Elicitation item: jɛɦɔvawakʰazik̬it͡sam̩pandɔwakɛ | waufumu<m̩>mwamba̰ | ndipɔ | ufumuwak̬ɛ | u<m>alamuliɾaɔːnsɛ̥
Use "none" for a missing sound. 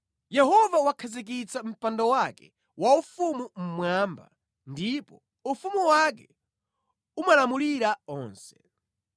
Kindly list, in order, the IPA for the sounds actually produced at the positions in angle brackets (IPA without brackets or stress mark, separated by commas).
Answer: m̩, m